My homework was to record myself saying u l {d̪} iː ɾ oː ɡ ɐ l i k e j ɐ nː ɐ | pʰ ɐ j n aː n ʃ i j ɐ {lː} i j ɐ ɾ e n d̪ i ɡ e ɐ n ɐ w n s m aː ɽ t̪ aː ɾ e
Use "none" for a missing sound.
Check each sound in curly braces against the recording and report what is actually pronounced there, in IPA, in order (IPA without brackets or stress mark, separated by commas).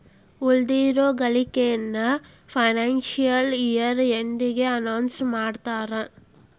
d̪, l